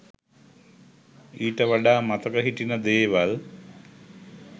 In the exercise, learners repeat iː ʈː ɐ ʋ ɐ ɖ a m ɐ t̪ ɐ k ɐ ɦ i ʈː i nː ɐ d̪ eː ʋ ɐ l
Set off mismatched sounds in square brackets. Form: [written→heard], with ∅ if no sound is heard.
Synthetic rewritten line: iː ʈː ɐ ʋ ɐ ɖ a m ɐ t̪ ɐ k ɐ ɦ i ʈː i [nː→n] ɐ d̪ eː ʋ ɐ l